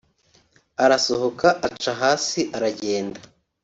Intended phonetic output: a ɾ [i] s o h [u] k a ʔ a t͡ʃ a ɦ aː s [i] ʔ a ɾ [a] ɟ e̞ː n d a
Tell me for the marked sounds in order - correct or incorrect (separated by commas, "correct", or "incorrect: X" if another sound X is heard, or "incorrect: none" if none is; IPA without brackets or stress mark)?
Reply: incorrect: a, incorrect: o, correct, correct